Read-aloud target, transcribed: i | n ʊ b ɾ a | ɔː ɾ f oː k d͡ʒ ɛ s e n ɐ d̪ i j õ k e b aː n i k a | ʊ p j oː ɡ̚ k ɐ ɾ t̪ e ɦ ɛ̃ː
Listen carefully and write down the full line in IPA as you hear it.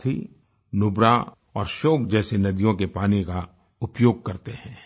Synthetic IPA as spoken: i | n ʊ b ɾ a | ɔː ɾ ʃ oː k d͡ʒ ɛː s e n ɐ d̪ i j õ k e p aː n i k a | ʊ p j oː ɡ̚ k ɐ ɾ t̪ e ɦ ɛ̃ː